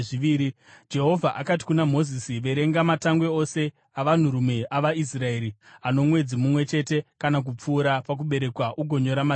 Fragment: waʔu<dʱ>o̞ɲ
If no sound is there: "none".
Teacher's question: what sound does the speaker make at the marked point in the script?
ɡʱ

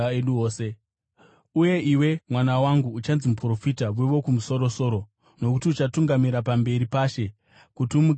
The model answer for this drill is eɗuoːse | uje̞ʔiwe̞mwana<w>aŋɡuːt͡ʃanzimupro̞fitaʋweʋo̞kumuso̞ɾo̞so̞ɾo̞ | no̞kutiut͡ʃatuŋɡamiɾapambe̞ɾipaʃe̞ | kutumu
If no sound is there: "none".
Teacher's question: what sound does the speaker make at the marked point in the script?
w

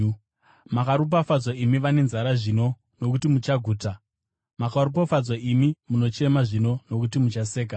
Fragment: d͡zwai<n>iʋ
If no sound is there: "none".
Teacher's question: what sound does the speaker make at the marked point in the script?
m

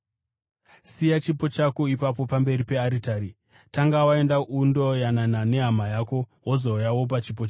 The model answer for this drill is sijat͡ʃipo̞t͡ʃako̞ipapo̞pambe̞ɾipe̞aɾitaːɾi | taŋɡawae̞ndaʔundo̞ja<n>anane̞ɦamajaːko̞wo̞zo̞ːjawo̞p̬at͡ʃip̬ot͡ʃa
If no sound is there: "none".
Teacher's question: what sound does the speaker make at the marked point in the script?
n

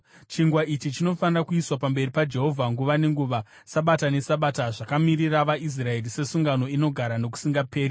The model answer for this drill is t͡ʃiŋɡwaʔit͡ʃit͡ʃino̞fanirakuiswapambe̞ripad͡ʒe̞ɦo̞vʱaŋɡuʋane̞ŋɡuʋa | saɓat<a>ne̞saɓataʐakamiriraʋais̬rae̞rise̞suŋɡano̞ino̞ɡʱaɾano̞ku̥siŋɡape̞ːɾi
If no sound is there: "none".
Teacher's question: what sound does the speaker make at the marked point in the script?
a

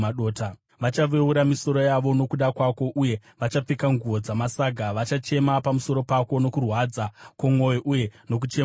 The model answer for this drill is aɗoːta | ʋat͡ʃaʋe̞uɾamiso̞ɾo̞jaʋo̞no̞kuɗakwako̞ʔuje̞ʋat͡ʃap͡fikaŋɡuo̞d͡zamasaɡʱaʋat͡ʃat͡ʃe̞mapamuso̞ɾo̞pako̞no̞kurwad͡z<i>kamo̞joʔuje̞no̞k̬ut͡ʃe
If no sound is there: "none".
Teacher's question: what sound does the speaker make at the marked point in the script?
a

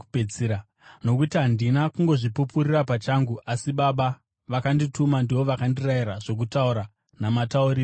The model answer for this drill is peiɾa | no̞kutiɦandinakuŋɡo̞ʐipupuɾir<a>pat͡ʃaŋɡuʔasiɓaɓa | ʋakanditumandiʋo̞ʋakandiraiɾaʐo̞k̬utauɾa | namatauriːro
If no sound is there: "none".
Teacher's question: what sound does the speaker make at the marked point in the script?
a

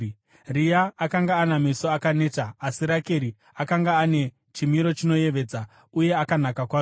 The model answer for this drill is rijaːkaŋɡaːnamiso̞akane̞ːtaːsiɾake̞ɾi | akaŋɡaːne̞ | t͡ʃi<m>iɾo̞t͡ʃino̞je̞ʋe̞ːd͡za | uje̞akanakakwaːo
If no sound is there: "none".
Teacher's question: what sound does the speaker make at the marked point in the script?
m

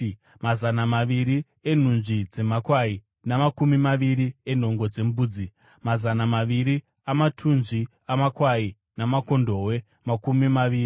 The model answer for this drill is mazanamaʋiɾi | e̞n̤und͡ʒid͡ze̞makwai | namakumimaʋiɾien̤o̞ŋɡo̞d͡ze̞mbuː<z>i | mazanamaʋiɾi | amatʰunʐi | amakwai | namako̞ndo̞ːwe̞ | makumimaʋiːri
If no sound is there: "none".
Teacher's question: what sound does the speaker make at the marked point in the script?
d͡z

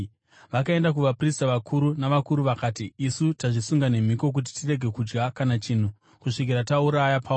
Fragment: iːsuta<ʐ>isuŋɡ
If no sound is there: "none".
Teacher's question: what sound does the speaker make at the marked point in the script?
ʐ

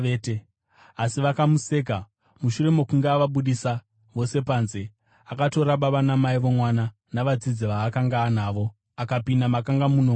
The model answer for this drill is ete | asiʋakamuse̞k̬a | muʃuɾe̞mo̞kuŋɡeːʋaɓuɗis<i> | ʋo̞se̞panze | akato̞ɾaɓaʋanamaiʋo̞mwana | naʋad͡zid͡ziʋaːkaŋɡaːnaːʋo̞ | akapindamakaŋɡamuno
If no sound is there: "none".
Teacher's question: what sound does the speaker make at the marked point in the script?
a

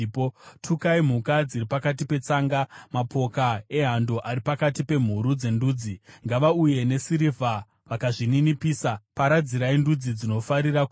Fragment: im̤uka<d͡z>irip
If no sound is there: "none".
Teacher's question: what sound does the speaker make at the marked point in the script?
d͡z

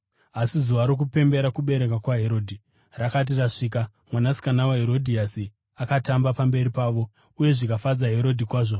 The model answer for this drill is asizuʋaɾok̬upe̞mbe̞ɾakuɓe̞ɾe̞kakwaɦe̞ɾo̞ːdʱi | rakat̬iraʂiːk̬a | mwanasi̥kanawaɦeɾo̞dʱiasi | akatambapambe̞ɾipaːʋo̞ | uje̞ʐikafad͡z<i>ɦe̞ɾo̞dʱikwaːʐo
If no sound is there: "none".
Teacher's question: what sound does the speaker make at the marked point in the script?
a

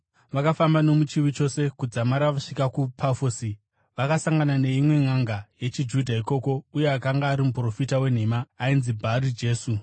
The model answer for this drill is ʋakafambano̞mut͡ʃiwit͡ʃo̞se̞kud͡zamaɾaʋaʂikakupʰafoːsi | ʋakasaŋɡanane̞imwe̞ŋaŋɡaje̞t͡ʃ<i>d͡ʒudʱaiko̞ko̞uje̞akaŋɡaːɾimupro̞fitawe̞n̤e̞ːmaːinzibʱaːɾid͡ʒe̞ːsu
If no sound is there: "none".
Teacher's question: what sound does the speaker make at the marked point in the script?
i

